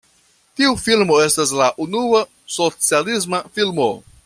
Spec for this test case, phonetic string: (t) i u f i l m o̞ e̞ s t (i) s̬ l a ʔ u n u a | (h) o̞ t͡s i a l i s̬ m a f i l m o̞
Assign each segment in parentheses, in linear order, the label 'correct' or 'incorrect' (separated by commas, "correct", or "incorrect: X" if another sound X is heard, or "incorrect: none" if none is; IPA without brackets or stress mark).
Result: correct, incorrect: a, incorrect: s